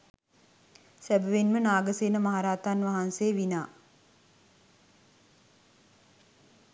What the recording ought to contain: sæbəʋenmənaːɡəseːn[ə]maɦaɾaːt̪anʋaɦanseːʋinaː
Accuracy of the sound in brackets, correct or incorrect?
correct